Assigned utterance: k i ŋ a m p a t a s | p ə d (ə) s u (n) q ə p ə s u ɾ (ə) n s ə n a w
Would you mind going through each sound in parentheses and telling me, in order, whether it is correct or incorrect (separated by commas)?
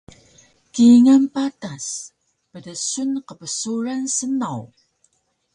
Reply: correct, correct, incorrect